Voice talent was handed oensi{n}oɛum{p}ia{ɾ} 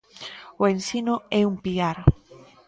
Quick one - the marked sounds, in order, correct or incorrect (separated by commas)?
correct, correct, correct